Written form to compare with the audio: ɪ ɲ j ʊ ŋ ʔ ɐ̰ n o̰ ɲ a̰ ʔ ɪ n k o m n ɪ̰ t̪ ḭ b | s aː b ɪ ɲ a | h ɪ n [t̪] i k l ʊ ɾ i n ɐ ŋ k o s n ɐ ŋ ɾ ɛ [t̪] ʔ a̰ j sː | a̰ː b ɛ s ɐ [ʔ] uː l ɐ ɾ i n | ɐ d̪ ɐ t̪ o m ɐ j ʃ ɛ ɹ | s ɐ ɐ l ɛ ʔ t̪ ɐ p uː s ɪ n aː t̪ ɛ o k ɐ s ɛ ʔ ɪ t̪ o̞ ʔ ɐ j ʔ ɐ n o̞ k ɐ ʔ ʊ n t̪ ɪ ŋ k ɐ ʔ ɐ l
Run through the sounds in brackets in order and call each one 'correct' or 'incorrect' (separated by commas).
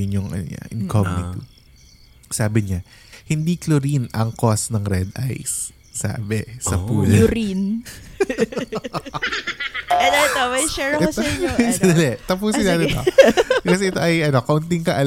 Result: incorrect, incorrect, incorrect